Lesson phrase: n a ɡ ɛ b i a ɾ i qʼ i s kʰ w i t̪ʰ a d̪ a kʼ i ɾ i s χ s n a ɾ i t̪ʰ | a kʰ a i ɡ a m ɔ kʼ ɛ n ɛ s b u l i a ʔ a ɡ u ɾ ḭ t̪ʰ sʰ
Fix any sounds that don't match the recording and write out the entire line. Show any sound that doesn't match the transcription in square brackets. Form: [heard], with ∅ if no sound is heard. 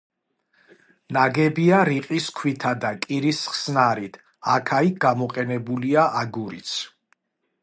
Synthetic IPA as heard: n a ɡ ɛ b i a ɾ i qʼ i s kʰ w i t̪ʰ a d̪ a kʼ i ɾ i s χ s n a ɾ i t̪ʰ | a kʰ a i ɡ a m ɔ [qʼ] ɛ n ɛ [∅] b u l i a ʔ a ɡ u ɾ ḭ [t̪] sʰ

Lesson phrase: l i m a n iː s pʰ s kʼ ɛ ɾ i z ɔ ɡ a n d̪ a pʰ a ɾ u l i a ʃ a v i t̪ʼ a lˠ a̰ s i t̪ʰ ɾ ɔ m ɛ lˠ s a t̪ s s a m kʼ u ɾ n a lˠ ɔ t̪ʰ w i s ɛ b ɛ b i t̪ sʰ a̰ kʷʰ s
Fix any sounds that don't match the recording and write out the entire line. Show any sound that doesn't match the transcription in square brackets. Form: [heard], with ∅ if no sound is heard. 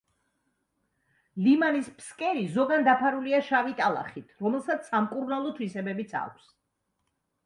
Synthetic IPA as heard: l i m a n [i] s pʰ s kʼ ɛ ɾ i z ɔ ɡ a n d̪ a pʰ a ɾ u l i a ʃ a v i t̪ʼ a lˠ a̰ [χ] i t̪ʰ ɾ ɔ m ɛ lˠ s a t̪ s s a m kʼ u ɾ n a lˠ ɔ t̪ʰ w i s ɛ b ɛ b i t̪ sʰ a̰ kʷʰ s

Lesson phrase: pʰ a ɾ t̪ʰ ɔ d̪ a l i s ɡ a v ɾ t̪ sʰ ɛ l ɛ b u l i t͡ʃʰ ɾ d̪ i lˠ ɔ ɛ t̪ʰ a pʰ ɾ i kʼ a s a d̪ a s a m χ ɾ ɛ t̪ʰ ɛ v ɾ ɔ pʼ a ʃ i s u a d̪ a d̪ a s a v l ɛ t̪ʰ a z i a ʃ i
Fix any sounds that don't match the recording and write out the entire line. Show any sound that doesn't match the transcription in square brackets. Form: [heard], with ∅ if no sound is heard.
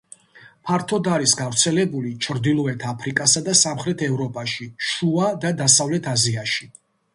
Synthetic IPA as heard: pʰ a ɾ t̪ʰ ɔ d̪ a [ɾ] i s ɡ a v ɾ t̪ sʰ ɛ l ɛ b u l i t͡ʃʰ ɾ d̪ i lˠ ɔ ɛ t̪ʰ a pʰ ɾ i kʼ a s a d̪ a s a m χ ɾ ɛ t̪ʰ ɛ v ɾ ɔ pʼ a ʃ i [ʃ] u a d̪ a d̪ a s a v l ɛ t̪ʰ a z i a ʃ i

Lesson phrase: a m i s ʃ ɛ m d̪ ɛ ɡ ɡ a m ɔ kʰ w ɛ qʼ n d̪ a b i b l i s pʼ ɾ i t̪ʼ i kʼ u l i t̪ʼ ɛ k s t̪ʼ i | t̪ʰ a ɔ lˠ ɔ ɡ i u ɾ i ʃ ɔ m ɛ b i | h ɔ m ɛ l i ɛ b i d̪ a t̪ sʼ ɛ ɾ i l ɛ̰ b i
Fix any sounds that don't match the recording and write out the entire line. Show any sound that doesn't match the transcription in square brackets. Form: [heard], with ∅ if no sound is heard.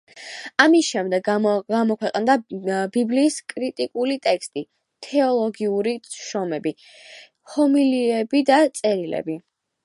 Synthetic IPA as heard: a m i s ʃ ɛ m d̪ ɛ ɡ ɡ a m ɔ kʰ w ɛ qʼ n d̪ a b i b l [iː] s [kʼ] ɾ i t̪ʼ i kʼ u l i t̪ʼ ɛ k s t̪ʼ i | t̪ʰ [ɛ] ɔ lˠ ɔ ɡ i u ɾ i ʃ ɔ m ɛ b i | h ɔ m [i] l i ɛ b i d̪ a t̪ sʼ ɛ ɾ i l ɛ̰ b i

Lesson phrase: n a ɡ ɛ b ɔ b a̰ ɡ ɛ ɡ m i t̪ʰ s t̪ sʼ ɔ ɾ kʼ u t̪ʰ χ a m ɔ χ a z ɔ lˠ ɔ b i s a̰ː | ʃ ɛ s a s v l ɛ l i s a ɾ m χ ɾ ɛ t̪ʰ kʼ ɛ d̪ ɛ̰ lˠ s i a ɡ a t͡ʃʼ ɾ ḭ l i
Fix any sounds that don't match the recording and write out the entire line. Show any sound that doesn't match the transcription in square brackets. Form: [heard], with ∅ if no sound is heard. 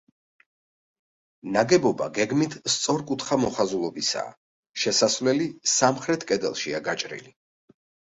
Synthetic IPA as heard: n a ɡ ɛ b ɔ b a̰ ɡ ɛ ɡ m i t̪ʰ s t̪ sʼ ɔ ɾ kʼ u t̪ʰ χ a m ɔ χ a z [u] lˠ ɔ b i s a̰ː | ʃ ɛ s a s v l ɛ l i s a [∅] m χ ɾ ɛ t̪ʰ kʼ ɛ d̪ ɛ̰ lˠ [ʃ] i a ɡ a t͡ʃʼ ɾ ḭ l i

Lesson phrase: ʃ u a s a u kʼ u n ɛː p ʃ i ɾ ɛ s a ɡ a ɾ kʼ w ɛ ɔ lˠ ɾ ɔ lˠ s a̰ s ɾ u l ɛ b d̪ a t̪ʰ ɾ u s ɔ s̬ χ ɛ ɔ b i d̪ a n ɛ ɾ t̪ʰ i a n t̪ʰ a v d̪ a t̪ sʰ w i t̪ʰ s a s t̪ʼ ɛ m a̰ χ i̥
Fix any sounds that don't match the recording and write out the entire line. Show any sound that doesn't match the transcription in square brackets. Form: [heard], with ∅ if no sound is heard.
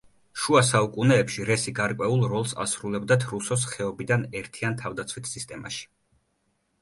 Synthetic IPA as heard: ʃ u a s a u kʼ u n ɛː p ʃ i ɾ ɛ s [i] ɡ a ɾ kʼ w ɛ [u] lˠ ɾ ɔ lˠ s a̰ s ɾ u l ɛ b d̪ a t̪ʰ ɾ u s ɔ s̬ χ ɛ ɔ b i d̪ a n ɛ ɾ t̪ʰ i a n t̪ʰ a v d̪ a t̪ sʰ w i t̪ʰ s [i] s t̪ʼ ɛ m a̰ [ʃ] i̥

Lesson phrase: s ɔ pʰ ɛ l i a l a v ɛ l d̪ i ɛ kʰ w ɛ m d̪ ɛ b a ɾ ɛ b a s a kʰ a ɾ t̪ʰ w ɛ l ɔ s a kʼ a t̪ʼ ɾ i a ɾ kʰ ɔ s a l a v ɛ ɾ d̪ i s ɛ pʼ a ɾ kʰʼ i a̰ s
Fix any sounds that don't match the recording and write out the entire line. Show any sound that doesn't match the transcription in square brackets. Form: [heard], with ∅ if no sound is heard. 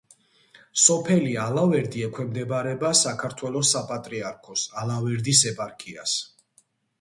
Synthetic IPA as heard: s ɔ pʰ ɛ l i a l a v ɛ [ɾ] d̪ i ɛ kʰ w ɛ m d̪ ɛ b a ɾ ɛ b a s a kʰ a ɾ t̪ʰ w ɛ l ɔ s a [pʼ] a t̪ʼ ɾ i a ɾ kʰ ɔ s a l a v ɛ ɾ d̪ i s ɛ pʼ a ɾ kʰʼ i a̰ s

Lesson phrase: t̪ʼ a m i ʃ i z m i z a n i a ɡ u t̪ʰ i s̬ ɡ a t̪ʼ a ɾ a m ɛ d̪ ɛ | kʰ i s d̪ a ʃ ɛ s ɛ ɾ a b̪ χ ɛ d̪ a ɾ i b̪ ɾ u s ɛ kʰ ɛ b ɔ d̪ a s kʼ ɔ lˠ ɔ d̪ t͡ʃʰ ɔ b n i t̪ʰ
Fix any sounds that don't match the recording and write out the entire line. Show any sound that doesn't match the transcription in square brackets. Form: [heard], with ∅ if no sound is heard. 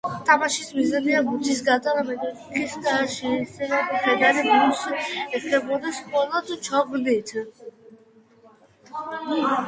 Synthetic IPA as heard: t̪ʼ a m [a] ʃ i [s] m i z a n i a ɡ u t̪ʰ i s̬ ɡ a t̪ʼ a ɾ a m ɛ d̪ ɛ | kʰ i s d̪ a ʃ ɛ s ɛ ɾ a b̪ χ ɛ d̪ a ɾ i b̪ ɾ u s ɛ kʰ ɛ b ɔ d̪ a s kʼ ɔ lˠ ɔ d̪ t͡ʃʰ ɔ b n i t̪ʰ

